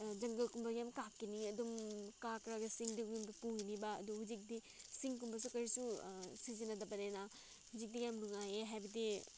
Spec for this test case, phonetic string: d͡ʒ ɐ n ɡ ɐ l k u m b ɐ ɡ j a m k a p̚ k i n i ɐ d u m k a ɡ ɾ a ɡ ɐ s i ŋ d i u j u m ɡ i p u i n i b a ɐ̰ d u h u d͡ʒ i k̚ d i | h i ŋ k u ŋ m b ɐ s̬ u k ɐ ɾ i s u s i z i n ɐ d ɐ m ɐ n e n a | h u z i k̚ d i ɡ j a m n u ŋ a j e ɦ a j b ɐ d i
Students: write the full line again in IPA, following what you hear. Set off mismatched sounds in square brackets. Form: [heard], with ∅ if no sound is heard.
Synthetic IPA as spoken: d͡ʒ ɐ [ŋ] ɡ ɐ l k u m b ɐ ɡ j a m k a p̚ k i n i ɐ d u m k a [k] ɾ a ɡ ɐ s i ŋ d i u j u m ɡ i p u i n i b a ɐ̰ d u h u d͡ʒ i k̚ d i | [s] i ŋ k u [∅] m b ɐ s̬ u k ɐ ɾ i s u s i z i n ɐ d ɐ [b] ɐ n e n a | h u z i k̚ d i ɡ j a m n u ŋ a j e ɦ a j b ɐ d i

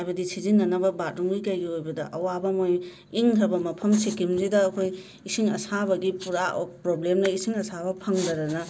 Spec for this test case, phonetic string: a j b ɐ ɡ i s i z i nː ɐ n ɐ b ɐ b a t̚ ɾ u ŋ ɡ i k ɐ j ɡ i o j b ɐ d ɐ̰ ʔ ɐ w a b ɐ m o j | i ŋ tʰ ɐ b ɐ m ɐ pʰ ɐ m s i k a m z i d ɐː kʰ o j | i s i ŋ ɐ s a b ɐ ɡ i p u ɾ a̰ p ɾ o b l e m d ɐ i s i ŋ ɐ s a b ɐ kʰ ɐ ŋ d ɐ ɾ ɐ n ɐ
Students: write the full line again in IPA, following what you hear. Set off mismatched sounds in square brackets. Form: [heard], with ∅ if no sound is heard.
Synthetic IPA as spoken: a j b ɐ [d] i s i z i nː ɐ n ɐ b ɐ b a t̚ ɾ u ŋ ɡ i k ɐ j ɡ i o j b ɐ d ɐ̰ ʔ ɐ w a b ɐ m o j | i ŋ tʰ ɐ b ɐ m ɐ pʰ ɐ m s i k [i] m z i d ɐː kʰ o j | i s i ŋ ɐ s a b ɐ ɡ i p u ɾ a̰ p ɾ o b l e m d ɐ i s i ŋ ɐ s a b ɐ [pʰ] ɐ ŋ d ɐ ɾ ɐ n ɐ

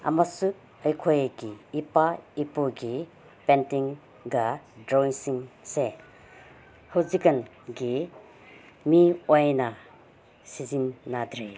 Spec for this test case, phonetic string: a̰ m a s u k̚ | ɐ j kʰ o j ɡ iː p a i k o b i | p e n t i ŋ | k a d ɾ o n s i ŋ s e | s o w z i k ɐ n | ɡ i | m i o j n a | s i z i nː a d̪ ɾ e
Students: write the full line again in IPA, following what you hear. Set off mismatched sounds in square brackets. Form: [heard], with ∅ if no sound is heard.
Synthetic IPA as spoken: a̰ m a s u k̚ | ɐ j kʰ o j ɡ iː p a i [p] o [ɡ] i | p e n t i ŋ | [ɡ] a d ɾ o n s i ŋ s e | [h] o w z i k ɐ n | ɡ i | m i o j n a | s i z i nː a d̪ ɾ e

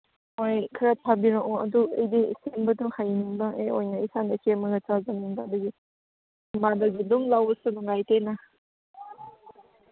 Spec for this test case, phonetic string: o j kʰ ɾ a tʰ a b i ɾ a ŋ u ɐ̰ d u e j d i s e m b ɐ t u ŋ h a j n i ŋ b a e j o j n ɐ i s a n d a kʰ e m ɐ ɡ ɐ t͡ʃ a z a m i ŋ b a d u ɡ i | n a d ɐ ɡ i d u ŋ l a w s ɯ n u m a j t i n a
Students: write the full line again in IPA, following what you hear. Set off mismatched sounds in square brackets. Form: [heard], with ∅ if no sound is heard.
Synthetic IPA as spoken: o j kʰ ɾ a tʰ a b i ɾ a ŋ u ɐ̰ d u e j d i s e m b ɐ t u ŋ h a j n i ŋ b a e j o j n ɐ i s a n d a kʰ e m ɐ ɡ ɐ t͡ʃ a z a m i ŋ b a d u ɡ i | [m] a d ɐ ɡ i d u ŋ l a w s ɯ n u [ŋ] a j t [e] n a

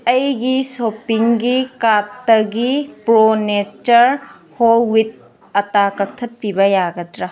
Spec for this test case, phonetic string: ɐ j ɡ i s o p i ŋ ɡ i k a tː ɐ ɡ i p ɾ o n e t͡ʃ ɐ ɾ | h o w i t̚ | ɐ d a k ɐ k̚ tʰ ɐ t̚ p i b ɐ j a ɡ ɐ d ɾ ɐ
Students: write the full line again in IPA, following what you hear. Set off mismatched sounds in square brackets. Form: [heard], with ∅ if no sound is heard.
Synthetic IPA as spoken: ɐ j ɡ i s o p i ŋ ɡ i k a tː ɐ ɡ i p ɾ o n e t͡ʃ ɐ ɾ | h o w i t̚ | ɐ [t] a k ɐ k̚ tʰ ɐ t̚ p i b ɐ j a ɡ ɐ d ɾ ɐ

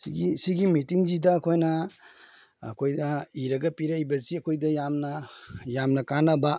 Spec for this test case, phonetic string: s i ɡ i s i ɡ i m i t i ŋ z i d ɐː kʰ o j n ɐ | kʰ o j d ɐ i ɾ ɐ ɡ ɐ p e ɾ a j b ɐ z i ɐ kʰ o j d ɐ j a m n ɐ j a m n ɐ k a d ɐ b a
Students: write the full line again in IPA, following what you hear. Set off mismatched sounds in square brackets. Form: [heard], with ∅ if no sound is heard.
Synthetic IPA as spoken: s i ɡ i s i ɡ i m i t i ŋ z i d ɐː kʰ o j n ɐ | kʰ o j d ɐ i ɾ ɐ ɡ ɐ p [i] ɾ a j b ɐ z i ɐ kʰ o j d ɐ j a m n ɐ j a m n ɐ k a [n] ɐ b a

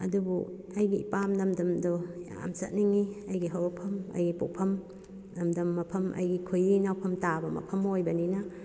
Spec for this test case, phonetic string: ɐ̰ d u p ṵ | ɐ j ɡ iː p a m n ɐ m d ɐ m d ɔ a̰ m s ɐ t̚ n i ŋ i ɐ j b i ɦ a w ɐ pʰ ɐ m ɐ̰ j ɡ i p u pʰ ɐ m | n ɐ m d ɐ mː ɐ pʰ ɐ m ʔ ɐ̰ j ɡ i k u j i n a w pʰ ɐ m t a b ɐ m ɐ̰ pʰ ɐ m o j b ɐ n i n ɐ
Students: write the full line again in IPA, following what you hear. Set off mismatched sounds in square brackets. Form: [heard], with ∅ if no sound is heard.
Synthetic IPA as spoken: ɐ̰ d u [b] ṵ | ɐ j ɡ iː p a m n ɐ m d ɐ m d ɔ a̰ m s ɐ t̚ n i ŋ i ɐ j [ɡ] i ɦ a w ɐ pʰ ɐ m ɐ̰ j ɡ i p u pʰ ɐ m | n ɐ m d ɐ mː ɐ pʰ ɐ m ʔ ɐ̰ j ɡ i [kʰ] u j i n a w pʰ ɐ m t a b ɐ m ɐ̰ pʰ ɐ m o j b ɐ n i n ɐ

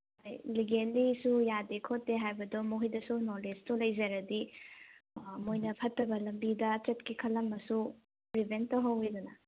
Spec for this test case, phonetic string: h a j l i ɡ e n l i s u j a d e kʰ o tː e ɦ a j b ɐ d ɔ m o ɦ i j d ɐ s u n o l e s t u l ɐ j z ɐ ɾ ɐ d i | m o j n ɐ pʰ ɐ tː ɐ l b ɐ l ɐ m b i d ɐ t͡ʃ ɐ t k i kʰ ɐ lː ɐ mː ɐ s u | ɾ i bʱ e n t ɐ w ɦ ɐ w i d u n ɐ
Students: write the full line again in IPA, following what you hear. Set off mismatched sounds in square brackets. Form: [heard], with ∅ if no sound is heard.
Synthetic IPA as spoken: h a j l i ɡ e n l i s u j a d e kʰ o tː e ɦ a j b ɐ d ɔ m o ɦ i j d ɐ s u n o l e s t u l ɐ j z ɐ ɾ ɐ d i | m o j n ɐ pʰ ɐ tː ɐ [∅] b ɐ l ɐ m b i d ɐ t͡ʃ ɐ t k i kʰ ɐ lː ɐ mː ɐ s u | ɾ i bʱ e n t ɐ w ɦ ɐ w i d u n ɐ

